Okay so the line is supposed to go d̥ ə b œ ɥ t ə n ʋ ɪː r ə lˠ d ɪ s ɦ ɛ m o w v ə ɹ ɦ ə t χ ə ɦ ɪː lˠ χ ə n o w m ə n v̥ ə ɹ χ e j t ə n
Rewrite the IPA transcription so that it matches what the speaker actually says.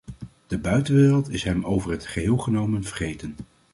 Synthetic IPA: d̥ ə b œ ɥ t ə n ʋ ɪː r ə lˠ t ɪ s ɦ ɛ m o w v ə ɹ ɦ ə t χ ə ɦ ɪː lˠ χ ə n o w m ə n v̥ ə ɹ χ e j t ə n